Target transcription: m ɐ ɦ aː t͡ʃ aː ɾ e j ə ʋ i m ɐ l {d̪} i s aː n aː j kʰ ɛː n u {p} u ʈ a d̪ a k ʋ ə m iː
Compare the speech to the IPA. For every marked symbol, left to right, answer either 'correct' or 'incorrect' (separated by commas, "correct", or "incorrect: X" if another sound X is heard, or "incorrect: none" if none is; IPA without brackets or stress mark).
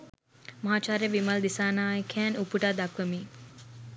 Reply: correct, correct